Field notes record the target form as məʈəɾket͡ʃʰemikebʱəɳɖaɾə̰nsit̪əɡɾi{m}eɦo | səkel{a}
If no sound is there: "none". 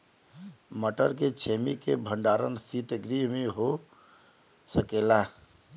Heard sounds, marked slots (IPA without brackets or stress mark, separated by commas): m, a